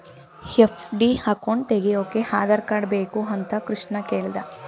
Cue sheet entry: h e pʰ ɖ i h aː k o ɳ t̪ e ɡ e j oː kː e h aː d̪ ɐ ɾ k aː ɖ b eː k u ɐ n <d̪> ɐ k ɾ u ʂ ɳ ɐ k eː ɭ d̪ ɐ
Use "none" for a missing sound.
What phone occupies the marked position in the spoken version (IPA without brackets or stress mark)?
t̪